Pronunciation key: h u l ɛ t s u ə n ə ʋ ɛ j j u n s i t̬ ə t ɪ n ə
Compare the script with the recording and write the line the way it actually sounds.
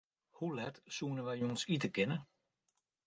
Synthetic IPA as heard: h u l ɛ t s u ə n ə ʋ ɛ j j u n s i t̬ ə k ɪ n ə